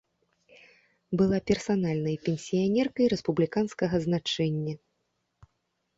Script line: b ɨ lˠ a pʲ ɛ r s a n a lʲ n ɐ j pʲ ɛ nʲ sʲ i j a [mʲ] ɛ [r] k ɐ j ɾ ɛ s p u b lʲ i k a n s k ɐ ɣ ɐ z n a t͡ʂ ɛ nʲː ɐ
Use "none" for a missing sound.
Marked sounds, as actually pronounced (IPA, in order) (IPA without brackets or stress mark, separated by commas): nʲ, r